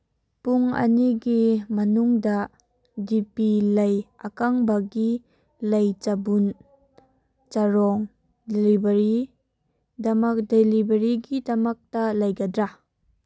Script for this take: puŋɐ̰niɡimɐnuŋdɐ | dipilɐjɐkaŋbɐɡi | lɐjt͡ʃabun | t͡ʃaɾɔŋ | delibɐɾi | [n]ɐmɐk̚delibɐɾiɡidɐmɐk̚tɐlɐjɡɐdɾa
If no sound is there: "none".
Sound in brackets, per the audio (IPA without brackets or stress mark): d